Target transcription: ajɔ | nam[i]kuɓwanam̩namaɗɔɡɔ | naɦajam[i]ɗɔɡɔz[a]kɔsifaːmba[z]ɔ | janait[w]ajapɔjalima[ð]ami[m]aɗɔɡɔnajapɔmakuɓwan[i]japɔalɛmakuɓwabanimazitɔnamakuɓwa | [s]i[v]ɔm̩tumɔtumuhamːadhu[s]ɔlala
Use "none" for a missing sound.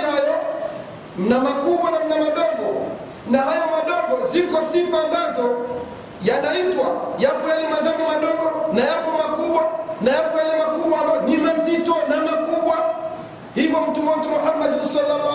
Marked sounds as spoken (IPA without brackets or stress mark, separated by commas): a, a, i, z, w, ð, m, a, h, v, s